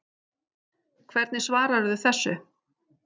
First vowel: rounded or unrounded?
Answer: unrounded